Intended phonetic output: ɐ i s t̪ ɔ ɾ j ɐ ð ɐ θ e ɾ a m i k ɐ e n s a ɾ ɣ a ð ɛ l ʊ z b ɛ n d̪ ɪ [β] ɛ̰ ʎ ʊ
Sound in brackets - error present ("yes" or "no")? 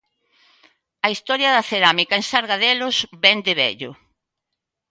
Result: no